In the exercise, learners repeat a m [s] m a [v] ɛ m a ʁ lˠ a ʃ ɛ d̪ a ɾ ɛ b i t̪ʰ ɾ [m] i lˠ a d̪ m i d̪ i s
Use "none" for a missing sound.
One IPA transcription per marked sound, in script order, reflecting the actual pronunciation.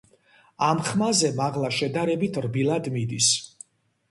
χ, z, b

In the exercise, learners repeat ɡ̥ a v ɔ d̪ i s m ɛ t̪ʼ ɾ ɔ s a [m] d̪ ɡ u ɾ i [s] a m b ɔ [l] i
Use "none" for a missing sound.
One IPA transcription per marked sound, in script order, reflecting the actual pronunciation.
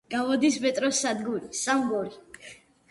none, s, ɾ

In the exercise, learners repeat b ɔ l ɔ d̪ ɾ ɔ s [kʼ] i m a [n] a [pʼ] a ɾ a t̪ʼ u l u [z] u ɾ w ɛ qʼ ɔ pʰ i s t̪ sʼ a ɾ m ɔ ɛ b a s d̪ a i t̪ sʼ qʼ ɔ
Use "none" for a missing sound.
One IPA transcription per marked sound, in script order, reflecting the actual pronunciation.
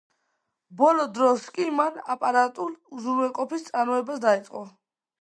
kʼ, n, pʼ, z

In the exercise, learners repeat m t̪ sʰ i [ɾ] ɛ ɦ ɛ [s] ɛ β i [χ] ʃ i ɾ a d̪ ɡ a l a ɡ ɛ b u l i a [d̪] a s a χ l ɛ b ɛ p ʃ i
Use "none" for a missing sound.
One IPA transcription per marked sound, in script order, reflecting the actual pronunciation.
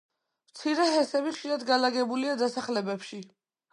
ɾ, s, χ, d̪

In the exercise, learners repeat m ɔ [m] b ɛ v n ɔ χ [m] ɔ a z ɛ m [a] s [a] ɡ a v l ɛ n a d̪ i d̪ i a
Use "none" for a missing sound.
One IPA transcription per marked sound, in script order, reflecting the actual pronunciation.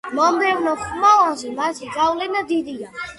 m, m, a, i

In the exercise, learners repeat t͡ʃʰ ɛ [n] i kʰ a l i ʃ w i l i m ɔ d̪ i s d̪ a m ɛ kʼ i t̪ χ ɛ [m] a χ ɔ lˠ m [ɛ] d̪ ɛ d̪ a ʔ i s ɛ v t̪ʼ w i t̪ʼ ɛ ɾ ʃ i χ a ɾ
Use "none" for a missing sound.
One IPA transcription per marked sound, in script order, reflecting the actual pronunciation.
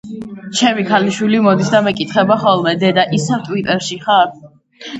m, b, ɛ

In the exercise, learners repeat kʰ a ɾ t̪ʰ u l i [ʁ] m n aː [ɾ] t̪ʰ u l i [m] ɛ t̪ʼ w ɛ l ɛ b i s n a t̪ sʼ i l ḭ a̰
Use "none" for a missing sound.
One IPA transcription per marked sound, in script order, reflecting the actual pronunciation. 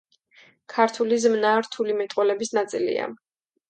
z, ɾ, m

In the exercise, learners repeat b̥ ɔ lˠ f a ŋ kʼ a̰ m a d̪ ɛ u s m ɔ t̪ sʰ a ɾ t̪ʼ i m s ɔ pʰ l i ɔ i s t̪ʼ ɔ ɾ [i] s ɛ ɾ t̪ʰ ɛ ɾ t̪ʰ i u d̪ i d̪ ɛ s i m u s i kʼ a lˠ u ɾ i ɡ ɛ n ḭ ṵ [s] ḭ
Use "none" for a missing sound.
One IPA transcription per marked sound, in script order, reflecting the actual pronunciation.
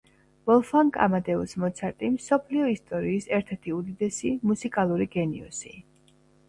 iː, s

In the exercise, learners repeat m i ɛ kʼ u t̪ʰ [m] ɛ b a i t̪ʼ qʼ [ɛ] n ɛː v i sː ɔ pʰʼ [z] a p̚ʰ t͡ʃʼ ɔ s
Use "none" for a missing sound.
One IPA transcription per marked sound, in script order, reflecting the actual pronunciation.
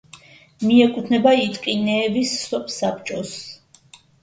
n, i, s

